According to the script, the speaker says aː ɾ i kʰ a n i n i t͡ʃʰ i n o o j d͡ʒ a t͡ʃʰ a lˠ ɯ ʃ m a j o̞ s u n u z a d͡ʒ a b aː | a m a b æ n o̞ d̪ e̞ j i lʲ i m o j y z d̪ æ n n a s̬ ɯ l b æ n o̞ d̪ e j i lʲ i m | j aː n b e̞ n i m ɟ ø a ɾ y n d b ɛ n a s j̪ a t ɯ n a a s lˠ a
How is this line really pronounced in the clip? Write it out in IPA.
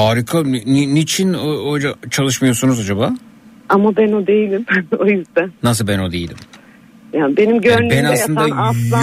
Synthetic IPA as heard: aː ɾ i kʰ a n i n i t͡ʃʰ i n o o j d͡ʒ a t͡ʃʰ a lˠ ɯ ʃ m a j o̞ s u n u z a d͡ʒ a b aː | a m a b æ n o̞ d̪ e̞ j i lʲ i m o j y z d̪ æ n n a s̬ ɯ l b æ n o̞ d̪ e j i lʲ i m | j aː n b e̞ n i m ɟ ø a ɾ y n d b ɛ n a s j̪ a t ɯ n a a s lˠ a